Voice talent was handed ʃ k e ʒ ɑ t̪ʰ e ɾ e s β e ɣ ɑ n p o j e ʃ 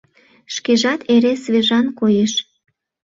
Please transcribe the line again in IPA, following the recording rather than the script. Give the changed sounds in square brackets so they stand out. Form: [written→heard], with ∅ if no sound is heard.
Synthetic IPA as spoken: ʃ k e ʒ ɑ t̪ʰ e ɾ e s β e [ɣ→ʒ] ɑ n [p→k] o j e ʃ

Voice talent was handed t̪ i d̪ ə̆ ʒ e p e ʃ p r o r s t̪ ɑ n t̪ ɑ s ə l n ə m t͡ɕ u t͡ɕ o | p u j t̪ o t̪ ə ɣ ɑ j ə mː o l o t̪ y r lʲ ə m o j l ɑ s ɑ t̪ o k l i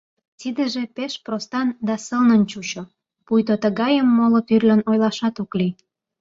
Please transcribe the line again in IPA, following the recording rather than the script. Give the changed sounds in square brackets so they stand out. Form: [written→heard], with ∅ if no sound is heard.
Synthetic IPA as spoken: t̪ i d̪ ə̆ ʒ e p e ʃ p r o [r→∅] s t̪ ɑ n [t̪→d̪] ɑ s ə l n ə [m→n] t͡ɕ u t͡ɕ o | p u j t̪ o t̪ ə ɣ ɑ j ə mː o l o t̪ y r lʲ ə [m→n] o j l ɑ [s→ʃ] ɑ t̪ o k l i

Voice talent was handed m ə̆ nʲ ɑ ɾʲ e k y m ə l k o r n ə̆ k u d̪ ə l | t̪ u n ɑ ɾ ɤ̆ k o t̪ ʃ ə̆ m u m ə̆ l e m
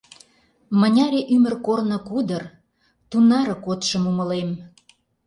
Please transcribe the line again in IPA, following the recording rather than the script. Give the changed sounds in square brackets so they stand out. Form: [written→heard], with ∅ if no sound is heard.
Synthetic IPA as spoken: m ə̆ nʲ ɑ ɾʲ e [k→ʔ] y m ə [l→r] k o r n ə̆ k u d̪ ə [l→r] | t̪ u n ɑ ɾ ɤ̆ k o t̪ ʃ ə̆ m u m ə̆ l e m

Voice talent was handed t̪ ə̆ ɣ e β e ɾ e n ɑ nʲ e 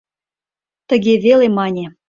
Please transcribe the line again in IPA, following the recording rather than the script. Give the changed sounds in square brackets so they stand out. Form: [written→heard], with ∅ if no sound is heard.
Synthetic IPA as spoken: t̪ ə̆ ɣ e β e [ɾ→l] e [n→m] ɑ nʲ e

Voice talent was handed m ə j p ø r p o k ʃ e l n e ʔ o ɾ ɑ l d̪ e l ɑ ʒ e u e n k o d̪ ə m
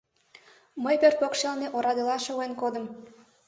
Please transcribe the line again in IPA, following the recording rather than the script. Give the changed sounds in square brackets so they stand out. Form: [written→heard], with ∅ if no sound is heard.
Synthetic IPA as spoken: m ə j p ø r p o k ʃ e l n e ʔ o ɾ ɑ [l→∅] d̪ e l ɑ [ʒ→ʃ] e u e n k o d̪ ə m

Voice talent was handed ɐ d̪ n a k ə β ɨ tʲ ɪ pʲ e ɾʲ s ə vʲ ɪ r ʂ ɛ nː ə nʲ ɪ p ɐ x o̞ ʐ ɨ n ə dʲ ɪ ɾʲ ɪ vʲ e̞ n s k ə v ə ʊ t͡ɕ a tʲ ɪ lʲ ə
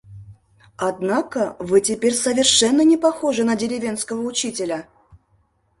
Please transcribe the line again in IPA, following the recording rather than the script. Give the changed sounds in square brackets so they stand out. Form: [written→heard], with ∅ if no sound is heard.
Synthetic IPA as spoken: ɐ d̪ n a k ə [β→v] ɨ tʲ ɪ pʲ e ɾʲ s ə vʲ ɪ r ʂ ɛ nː ə nʲ ɪ p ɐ x o̞ ʐ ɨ n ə dʲ ɪ ɾʲ ɪ vʲ e̞ n s k ə v ə ʊ t͡ɕ [a→i] tʲ ɪ lʲ ə

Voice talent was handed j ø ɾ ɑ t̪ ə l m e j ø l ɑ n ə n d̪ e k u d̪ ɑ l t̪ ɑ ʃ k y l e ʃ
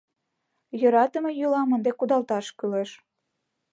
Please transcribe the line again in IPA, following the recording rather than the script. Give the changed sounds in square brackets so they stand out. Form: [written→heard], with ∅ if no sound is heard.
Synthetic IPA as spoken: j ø ɾ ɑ t̪ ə [l→∅] m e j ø l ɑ [n→m] ə n d̪ e k u d̪ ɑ l t̪ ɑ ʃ k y l e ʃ

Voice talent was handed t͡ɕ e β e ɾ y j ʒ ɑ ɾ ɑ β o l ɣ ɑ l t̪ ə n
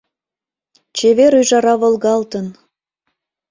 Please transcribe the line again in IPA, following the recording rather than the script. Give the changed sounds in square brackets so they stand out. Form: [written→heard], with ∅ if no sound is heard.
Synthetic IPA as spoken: t͡ɕ e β e ɾ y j ʒ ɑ ɾ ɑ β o l ɣ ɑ l t̪ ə n

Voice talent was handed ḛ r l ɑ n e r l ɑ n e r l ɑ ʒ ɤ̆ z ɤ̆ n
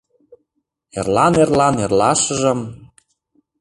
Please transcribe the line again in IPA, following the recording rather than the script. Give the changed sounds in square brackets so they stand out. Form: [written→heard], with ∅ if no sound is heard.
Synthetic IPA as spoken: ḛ r l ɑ n e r l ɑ n e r l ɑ [ʒ→ʃ] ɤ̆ [z→ʒ] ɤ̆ [n→m]

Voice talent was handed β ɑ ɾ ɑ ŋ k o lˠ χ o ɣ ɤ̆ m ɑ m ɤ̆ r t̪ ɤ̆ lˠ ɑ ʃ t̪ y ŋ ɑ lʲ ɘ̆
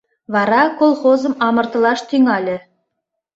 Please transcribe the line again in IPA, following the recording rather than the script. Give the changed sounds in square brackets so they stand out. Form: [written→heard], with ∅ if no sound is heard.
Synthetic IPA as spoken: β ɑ ɾ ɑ [ŋ→∅] k o lˠ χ o [ɣ→z] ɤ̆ m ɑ m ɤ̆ r t̪ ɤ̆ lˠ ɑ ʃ t̪ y ŋ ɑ lʲ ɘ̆

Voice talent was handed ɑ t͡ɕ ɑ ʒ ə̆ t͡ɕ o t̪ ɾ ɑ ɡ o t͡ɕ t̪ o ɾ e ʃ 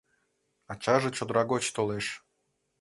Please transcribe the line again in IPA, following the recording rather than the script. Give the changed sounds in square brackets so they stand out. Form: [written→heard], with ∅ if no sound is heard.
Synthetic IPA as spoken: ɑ t͡ɕ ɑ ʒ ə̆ t͡ɕ o [t̪→d̪] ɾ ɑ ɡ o t͡ɕ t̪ o [ɾ→l] e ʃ

